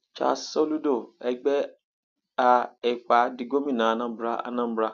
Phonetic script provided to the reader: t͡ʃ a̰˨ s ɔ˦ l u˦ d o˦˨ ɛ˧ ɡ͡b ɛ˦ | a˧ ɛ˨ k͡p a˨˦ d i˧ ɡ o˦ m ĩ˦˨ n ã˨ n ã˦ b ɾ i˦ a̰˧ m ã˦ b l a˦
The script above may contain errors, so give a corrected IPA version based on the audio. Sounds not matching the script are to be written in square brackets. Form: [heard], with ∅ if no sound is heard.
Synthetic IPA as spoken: t͡ʃ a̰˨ s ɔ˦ l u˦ d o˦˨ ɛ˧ ɡ͡b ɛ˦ | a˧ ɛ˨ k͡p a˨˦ d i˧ ɡ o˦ m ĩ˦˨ n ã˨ n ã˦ b ɾ [a˦] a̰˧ [n] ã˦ b [ɾ] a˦